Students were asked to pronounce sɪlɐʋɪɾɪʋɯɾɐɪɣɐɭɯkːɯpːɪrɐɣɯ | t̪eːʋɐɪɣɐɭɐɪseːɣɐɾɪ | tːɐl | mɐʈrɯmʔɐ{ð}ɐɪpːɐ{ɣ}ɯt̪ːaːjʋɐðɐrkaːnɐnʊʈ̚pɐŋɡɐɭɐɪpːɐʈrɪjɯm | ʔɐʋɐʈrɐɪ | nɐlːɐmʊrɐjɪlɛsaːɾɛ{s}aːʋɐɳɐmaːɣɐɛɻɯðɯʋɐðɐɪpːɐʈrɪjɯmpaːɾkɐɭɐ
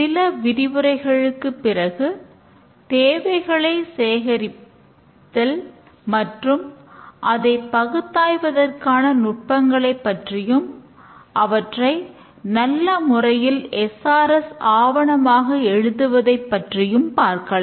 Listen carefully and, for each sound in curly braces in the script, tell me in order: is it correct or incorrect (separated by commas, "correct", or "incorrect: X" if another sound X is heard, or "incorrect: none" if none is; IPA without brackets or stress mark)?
correct, correct, correct